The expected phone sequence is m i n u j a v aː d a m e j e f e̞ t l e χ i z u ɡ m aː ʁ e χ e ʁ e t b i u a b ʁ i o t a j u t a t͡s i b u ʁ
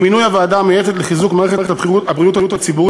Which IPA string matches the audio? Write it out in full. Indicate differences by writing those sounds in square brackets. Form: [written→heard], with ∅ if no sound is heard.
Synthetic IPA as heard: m i n u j a v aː d a m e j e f e̞ t l e χ i z u [ɡ→k] m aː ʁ e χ e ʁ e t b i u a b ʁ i [o→u] t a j u t a t͡s i b u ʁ